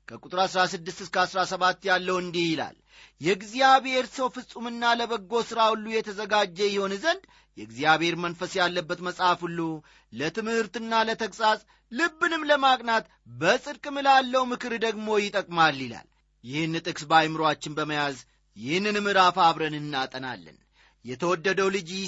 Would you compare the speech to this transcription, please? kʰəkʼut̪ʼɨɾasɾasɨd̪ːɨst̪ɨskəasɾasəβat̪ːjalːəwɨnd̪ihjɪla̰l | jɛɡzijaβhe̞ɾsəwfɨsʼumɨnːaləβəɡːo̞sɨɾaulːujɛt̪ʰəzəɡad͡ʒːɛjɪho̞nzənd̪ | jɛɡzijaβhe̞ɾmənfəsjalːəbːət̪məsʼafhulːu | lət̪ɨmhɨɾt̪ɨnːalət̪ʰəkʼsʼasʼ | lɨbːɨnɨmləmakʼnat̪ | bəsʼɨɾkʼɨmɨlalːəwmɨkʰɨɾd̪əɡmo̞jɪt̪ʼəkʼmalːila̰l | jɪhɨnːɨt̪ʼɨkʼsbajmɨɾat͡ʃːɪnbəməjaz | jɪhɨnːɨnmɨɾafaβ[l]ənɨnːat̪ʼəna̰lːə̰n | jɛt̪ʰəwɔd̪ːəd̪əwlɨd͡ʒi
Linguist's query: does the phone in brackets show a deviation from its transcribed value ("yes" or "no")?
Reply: yes